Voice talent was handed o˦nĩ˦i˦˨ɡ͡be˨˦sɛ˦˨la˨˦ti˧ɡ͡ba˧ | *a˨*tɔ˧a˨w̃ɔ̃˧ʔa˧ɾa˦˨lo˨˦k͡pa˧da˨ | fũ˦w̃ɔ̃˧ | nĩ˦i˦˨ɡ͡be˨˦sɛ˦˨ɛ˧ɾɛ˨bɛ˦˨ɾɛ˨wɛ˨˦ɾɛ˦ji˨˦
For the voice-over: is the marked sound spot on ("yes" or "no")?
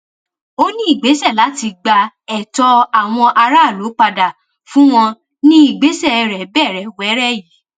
no